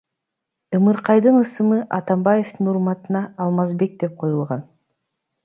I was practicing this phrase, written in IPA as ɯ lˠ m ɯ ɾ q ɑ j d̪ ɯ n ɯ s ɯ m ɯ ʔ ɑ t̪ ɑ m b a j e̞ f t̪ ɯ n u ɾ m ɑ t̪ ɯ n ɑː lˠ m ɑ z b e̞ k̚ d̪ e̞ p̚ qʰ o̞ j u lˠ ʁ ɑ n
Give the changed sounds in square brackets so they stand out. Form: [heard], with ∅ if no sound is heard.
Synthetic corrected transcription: ɯ [∅] m ɯ ɾ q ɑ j d̪ ɯ n ɯ s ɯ m ɯ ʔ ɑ t̪ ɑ m b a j e̞ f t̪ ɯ n u ɾ m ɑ t̪ ɯ n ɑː lˠ m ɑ z b e̞ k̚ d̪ e̞ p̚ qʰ o̞ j u lˠ ʁ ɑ n

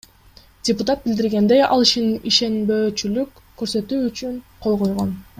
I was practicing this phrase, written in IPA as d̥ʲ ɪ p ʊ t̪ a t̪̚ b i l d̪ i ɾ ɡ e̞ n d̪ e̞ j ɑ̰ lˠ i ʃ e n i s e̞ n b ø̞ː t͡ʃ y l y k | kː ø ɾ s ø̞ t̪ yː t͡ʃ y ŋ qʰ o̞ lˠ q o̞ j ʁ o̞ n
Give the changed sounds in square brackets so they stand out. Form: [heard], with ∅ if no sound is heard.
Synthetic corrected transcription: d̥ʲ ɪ p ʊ t̪ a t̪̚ b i l d̪ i ɾ ɡ e̞ n d̪ e̞ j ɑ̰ lˠ i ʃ [i] n i [ʃ] e̞ n b ø̞ː t͡ʃ y l y k | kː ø ɾ s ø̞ t̪ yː t͡ʃ y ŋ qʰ o̞ lˠ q o̞ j ʁ o̞ n

